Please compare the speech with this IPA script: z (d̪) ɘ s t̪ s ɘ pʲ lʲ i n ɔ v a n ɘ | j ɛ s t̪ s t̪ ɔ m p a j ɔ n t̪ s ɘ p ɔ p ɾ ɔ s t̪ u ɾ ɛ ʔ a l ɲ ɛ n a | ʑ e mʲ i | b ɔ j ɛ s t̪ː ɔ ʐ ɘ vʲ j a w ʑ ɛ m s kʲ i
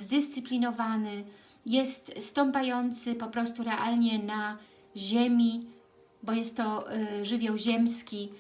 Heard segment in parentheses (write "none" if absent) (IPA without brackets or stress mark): d̪